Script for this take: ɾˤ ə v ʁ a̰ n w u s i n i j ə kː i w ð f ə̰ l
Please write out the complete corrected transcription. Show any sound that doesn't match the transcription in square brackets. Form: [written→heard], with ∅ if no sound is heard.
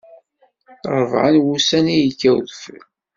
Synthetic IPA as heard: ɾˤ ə v [ʁ→ʕ] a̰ n w u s [i→æ] n i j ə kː [i→æ] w ð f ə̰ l